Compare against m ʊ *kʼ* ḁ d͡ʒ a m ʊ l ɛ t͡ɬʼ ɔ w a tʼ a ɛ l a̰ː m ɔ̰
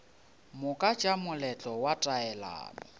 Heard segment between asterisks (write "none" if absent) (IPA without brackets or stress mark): kʼ